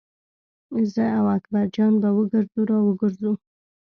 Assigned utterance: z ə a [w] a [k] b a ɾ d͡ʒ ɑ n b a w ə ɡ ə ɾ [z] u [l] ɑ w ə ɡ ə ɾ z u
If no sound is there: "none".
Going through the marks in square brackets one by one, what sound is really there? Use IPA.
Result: w, k, z, ɾ

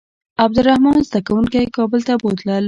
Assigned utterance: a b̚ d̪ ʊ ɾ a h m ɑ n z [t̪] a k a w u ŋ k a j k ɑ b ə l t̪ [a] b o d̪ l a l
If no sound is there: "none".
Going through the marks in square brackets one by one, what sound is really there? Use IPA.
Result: d̪, a

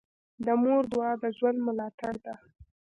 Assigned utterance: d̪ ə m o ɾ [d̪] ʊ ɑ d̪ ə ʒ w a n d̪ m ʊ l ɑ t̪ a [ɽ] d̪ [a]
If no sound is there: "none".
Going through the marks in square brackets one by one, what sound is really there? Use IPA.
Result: d̪, ɽ, a

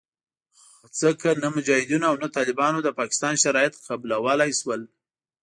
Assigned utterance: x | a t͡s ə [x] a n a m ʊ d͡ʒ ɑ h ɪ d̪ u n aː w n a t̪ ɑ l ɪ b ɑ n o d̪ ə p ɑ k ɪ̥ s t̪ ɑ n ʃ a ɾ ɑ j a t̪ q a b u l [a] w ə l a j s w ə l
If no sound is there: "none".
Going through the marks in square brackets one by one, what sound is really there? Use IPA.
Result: k, a

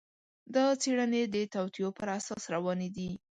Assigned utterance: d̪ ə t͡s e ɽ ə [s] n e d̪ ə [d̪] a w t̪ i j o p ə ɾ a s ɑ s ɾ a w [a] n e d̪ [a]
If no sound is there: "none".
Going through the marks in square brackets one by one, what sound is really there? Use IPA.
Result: none, t̪, ɑ, i

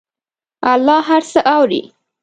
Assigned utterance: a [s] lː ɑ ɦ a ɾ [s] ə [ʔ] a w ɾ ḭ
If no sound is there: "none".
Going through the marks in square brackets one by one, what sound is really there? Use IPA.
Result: none, s, ʔ

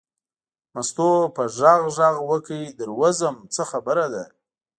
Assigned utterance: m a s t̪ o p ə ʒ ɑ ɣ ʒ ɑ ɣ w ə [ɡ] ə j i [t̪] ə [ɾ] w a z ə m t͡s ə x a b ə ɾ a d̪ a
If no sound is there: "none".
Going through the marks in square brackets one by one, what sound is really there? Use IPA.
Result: k, d̪, ɾ

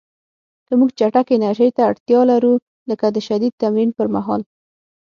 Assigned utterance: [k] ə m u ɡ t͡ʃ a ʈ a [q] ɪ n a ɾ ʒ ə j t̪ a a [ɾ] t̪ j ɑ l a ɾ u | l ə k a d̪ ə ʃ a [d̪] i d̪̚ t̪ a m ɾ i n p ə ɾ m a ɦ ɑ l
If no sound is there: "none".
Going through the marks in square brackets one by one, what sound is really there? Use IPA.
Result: k, k, ɽ, d̪

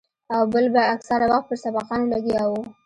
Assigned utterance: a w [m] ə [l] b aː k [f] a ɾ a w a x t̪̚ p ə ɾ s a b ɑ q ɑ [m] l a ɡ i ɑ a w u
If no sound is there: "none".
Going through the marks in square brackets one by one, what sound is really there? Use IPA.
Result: b, l, s, n

